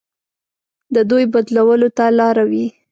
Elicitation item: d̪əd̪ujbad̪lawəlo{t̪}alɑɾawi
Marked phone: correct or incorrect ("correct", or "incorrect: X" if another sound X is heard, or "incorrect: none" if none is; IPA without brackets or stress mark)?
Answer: correct